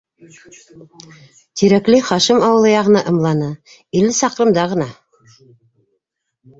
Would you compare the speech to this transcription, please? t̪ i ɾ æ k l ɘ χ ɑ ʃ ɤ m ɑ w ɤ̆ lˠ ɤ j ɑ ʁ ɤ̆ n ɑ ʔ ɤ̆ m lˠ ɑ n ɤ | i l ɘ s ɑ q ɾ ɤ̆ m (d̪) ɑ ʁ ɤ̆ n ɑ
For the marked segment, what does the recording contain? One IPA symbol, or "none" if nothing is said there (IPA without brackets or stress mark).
d̪